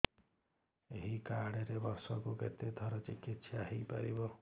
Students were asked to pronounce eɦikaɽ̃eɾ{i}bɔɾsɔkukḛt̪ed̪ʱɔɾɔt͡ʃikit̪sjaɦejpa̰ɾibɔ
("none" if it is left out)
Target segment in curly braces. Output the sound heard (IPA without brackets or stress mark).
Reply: e